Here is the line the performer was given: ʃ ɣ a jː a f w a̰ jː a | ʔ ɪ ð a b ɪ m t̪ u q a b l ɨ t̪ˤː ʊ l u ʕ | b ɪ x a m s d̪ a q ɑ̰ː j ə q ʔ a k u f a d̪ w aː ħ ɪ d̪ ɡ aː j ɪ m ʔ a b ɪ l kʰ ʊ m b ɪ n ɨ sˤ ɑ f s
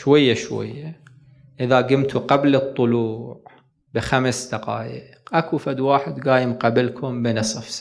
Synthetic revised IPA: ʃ w a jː a ʃ w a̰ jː a | ʔ ɪ ð a ɡ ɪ m t̪ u q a b l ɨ t̪ˤː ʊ l uː ʕ | b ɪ x a m s d̪ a q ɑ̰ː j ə q ʔ a k u f a d̪ w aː ħ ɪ d̪ ɡ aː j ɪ m q a b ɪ l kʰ ʊ m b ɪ n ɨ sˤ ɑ f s